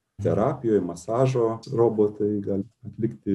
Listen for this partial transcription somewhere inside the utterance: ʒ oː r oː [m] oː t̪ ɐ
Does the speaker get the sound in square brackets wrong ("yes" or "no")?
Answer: yes